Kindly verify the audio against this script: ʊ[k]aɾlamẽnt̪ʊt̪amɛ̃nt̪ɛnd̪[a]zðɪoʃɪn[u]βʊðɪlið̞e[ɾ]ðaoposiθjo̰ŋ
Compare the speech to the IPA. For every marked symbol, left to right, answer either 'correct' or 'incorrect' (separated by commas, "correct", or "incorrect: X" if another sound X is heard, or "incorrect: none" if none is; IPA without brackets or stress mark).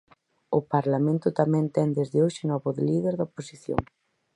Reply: incorrect: p, incorrect: e, incorrect: ɔ, correct